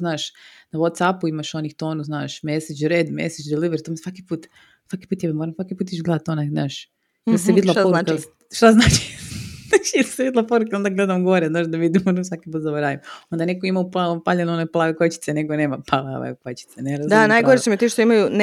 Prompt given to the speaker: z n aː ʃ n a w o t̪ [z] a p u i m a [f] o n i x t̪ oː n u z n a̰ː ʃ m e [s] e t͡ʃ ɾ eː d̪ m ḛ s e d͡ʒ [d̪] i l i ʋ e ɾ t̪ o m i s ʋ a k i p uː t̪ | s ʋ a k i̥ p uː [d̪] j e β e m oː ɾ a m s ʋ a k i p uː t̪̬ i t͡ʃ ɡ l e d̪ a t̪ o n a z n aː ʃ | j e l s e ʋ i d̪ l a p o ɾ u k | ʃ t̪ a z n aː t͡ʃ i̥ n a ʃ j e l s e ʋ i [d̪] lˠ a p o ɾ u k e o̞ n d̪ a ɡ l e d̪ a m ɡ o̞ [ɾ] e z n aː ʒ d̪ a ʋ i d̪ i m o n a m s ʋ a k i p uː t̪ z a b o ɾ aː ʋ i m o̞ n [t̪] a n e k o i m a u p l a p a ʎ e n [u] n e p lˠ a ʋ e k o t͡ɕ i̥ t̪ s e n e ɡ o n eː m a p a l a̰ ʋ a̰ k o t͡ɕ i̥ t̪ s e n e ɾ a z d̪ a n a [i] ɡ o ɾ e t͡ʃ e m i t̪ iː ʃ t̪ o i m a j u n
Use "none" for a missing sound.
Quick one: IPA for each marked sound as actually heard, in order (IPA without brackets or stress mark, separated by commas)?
s, ʃ, s, d̪, t̪, d̪, ɾ, d̪, o, j